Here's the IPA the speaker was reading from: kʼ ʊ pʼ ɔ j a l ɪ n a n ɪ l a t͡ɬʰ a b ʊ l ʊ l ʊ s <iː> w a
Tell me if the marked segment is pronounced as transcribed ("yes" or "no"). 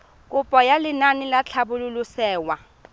no